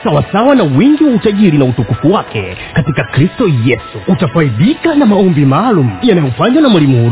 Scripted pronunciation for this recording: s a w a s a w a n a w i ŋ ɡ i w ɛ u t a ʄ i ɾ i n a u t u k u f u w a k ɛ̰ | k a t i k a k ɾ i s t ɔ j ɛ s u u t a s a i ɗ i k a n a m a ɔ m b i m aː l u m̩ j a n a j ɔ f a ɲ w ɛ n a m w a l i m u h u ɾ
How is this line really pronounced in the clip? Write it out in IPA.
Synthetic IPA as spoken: s a w a s a w a n a w i ŋ ɡ i w a u t a ʄ i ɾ i n a u t u k u f u w a k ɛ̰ | k a t i k a k ɾ i s t ɔ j ɛ s u u t a f a i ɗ i k a n a m a ɔ m b i m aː l u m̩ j a n a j ɔ f a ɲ w a n a m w a l i m u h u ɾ